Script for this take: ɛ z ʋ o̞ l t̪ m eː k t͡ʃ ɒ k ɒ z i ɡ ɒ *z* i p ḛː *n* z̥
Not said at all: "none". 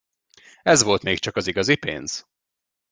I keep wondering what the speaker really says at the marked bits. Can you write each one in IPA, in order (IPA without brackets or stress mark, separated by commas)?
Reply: z, n